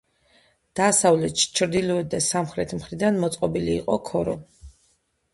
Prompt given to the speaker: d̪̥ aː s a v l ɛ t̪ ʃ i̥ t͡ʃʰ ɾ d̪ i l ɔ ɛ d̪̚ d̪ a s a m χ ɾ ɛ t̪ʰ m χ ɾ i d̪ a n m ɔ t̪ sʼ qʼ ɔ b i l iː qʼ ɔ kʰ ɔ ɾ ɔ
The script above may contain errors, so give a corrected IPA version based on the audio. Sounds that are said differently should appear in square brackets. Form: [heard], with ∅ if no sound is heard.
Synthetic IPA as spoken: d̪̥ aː s a v l ɛ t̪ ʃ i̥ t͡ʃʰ ɾ d̪ i l ɔ ɛ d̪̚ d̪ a s a m χ ɾ ɛ t̪ʰ m χ ɾ i d̪ a n m ɔ t̪ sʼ qʼ ɔ b i l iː qʼ ɔ kʰ ɔ ɾ ɔ